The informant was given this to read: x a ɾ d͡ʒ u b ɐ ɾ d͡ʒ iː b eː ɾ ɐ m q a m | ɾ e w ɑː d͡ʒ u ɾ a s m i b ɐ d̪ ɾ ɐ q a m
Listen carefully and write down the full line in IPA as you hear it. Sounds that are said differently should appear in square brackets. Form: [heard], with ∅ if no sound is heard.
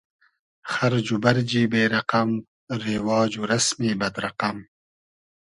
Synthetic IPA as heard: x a ɾ d͡ʒ u b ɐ ɾ d͡ʒ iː b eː ɾ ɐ [∅] q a m | ɾ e w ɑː d͡ʒ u ɾ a s m i b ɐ d̪ ɾ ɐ q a m